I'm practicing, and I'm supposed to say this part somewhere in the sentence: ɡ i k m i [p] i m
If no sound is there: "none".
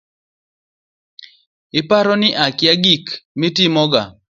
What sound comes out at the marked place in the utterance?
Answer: t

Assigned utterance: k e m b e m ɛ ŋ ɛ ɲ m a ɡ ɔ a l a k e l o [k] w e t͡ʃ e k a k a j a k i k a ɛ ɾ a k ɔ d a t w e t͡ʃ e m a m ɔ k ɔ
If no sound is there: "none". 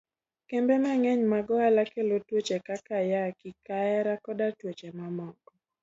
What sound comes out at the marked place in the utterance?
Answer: t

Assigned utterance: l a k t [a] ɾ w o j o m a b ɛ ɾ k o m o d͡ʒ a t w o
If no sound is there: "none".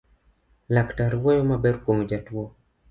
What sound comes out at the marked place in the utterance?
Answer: a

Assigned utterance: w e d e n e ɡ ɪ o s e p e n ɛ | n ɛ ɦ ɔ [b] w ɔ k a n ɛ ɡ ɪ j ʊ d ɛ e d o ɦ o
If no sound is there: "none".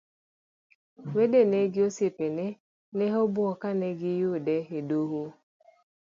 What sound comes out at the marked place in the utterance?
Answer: b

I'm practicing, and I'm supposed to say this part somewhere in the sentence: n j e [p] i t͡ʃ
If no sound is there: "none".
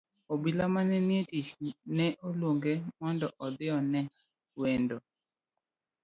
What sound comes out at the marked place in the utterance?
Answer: t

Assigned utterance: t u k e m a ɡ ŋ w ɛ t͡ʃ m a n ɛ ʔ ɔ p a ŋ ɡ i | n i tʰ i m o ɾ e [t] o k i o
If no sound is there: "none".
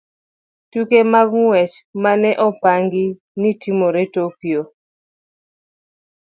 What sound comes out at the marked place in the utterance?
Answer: t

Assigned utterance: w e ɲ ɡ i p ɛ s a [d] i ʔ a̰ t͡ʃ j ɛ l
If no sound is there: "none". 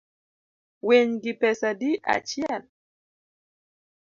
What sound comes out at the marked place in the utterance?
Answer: d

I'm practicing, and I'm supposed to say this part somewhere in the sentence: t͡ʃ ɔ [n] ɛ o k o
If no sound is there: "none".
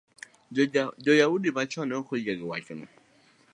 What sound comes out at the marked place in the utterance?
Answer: n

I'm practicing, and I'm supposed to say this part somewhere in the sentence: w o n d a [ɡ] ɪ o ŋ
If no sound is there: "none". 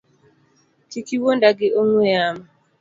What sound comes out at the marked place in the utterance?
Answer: ɡ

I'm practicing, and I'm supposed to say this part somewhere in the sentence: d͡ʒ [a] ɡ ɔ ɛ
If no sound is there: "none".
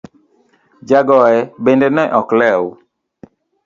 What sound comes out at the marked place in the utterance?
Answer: a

